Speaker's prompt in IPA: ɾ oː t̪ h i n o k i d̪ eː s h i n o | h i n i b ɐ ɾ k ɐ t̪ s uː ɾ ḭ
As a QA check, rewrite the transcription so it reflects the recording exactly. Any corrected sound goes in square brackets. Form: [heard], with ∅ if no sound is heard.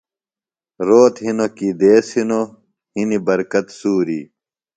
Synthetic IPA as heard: ɾ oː t̪ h i n o k i d̪ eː s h i n o | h i n i b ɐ ɾ k ɐ t̪ s uː ɾ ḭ

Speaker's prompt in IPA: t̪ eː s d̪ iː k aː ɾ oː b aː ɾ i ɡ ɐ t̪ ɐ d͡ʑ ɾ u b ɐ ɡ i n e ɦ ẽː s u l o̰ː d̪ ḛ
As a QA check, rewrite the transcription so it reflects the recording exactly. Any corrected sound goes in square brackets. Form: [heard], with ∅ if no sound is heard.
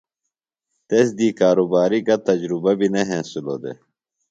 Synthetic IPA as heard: t̪ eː s d̪ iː k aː ɾ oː b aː ɾ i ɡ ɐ t̪ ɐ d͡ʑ ɾ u b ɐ [b] i n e ɦ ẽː s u l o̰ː d̪ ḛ

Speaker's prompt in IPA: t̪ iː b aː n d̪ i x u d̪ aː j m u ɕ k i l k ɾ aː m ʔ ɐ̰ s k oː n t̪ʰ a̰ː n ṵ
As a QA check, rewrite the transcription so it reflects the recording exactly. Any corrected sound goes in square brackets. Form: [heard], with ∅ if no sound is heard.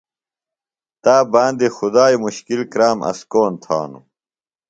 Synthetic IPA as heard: t̪ [aː] b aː n d̪ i x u d̪ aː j m u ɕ k i l k ɾ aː m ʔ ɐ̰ s k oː n t̪ʰ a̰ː n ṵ

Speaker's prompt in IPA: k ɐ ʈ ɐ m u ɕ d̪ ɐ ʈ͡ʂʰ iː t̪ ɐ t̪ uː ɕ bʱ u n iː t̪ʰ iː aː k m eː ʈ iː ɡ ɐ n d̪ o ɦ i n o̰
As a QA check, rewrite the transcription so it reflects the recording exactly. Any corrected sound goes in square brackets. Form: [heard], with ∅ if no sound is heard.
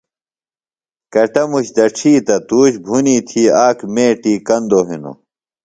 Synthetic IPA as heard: k ɐ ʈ ɐ m u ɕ d̪ ɐ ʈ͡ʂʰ iː t̪ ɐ t̪ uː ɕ bʱ u n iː t̪ʰ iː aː k m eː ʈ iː [k] ɐ n d̪ o ɦ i n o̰

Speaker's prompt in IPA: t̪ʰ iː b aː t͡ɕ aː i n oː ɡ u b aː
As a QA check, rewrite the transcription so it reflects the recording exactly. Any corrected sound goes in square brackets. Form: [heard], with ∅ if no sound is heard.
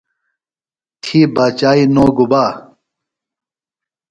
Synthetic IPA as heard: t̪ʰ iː b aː t͡ɕ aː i n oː ɡ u b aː

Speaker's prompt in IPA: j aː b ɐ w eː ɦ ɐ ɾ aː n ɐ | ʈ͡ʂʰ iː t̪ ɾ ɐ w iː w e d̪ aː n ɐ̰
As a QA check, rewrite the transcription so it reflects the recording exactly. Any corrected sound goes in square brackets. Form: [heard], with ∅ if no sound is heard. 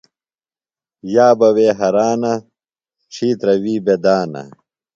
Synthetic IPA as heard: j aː b ɐ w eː ɦ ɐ ɾ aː n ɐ | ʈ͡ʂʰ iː t̪ ɾ ɐ w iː [b] e d̪ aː n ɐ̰

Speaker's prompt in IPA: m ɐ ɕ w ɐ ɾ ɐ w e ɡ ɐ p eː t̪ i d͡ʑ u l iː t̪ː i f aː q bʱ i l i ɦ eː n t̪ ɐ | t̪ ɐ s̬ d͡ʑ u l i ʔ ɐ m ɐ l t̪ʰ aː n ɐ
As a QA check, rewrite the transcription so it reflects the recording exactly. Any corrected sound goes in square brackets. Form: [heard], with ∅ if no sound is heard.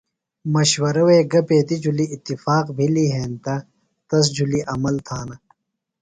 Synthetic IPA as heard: m ɐ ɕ w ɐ ɾ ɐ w e ɡ ɐ p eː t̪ i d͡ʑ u l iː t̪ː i f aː q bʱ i l i ɦ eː n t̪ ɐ | t̪ ɐ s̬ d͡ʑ u l i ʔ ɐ m ɐ l t̪ʰ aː n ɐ

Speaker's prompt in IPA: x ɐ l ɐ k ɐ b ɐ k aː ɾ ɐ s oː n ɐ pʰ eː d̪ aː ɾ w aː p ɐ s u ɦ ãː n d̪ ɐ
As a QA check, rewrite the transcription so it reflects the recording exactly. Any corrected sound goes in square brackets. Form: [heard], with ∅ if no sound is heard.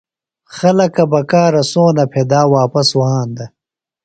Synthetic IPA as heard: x ɐ l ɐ k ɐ b ɐ k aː ɾ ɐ s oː n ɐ pʰ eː d̪ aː [∅] w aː p ɐ s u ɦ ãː n d̪ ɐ

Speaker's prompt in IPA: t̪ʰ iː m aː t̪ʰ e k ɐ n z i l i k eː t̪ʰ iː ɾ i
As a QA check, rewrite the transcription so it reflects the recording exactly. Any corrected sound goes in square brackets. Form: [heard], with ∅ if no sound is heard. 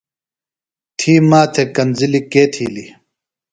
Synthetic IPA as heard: t̪ʰ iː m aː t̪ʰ e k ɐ n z i l i k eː t̪ʰ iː [l] i

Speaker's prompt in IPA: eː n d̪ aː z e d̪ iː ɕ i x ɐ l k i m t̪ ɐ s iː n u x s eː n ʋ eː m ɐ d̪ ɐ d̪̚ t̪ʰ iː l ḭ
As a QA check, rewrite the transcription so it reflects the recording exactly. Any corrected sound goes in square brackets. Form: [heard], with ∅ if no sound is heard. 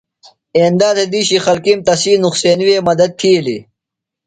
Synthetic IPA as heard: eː n d̪ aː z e d̪ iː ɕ i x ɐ l k i m t̪ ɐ s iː n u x s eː n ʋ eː m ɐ d̪ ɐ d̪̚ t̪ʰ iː l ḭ

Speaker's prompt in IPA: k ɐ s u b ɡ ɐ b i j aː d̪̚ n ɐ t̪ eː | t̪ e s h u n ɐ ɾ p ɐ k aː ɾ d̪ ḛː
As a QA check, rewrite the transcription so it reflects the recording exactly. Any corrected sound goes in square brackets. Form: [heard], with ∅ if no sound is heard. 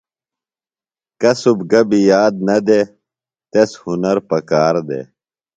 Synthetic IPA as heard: k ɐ s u b ɡ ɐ b i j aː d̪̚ n ɐ [d̪] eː | t̪ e s h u n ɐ ɾ p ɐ k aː ɾ d̪ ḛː

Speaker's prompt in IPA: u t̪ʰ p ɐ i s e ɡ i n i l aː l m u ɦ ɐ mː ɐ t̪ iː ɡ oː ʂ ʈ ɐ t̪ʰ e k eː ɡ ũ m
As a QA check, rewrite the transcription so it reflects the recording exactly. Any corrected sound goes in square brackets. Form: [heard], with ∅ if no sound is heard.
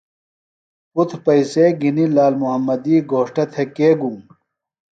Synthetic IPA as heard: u t̪ʰ p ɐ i s e ɡ i n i l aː l m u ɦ ɐ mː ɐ [d̪] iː ɡ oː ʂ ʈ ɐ t̪ʰ e k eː ɡ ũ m

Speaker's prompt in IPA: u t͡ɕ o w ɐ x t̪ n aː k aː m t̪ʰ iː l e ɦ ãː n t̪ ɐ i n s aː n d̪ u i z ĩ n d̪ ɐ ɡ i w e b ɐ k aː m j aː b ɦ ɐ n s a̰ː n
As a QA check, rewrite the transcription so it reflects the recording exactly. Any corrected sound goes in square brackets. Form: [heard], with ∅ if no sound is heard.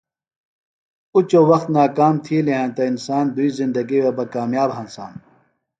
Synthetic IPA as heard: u t͡ɕ o w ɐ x t̪ n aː k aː m t̪ʰ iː l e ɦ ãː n t̪ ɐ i n s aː n d̪ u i z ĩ n d̪ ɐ ɡ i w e b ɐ k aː m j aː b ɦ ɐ n s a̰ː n

